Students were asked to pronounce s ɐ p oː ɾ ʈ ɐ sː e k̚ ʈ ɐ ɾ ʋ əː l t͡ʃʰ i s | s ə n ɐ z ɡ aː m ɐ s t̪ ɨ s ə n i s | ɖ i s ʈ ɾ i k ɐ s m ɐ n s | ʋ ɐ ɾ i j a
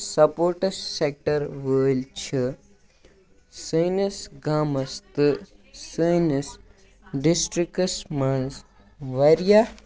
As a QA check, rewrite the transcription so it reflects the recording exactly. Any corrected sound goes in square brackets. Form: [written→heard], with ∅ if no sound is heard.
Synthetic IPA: s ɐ p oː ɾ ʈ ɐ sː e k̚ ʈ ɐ ɾ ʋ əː l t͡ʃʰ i [s→∅] | s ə n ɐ [z→s] ɡ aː m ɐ s t̪ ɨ s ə n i s | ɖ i s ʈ ɾ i k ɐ s m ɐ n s | ʋ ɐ ɾ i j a